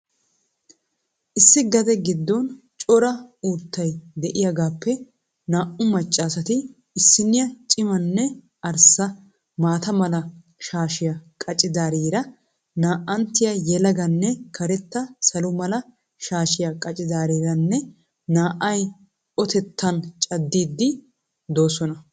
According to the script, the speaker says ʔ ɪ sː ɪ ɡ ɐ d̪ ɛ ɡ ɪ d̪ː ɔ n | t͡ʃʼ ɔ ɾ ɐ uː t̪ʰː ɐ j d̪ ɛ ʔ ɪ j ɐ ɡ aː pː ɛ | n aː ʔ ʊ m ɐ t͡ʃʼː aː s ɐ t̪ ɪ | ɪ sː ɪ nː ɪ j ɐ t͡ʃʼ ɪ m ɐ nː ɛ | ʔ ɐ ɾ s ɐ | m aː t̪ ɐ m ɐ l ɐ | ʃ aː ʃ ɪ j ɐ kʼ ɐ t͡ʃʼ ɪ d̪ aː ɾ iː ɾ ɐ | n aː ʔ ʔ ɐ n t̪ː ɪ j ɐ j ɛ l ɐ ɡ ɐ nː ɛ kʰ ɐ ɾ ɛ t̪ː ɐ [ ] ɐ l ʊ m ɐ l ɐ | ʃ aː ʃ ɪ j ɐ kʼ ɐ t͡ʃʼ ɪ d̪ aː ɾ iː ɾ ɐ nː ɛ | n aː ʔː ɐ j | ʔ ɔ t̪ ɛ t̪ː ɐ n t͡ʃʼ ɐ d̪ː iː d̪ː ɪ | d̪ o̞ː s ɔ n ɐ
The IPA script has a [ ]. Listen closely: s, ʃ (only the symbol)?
s